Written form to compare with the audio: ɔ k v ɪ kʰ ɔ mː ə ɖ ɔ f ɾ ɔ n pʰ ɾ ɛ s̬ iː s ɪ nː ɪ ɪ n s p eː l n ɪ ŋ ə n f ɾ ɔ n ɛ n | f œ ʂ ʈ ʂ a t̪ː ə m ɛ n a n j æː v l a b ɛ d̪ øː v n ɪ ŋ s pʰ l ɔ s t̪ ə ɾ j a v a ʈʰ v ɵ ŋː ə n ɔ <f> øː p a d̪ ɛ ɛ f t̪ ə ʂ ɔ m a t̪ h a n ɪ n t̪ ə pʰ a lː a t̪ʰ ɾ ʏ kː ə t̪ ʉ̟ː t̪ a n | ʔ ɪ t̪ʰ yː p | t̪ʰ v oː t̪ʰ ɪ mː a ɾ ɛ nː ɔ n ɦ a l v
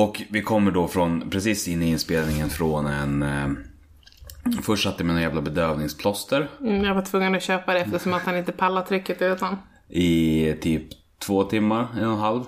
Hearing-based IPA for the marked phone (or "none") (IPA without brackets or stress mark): ɕ